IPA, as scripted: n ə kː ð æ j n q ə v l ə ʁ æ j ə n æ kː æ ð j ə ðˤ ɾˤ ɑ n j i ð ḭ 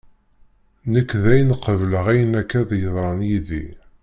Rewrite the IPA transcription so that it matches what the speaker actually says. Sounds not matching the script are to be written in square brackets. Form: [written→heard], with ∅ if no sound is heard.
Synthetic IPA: n ə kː ð æ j n q ə v l ə ʁ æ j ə n æ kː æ ð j ə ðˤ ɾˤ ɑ n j i ð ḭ